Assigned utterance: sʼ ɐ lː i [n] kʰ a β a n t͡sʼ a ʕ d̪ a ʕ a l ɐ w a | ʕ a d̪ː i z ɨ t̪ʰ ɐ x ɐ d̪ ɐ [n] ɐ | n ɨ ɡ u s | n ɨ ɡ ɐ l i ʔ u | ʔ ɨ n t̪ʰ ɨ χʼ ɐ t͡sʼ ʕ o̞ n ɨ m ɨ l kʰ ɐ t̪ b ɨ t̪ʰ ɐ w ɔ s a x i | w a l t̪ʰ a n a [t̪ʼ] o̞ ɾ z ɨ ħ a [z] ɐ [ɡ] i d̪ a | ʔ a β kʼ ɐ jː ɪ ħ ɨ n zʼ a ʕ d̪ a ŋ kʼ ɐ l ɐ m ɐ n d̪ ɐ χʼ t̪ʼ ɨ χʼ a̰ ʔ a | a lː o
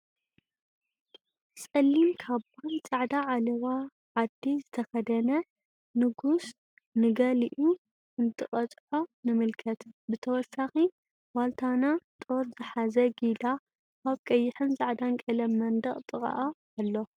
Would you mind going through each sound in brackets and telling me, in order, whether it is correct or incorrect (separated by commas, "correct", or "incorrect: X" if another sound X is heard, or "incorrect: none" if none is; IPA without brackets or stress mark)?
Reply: incorrect: m, correct, correct, correct, correct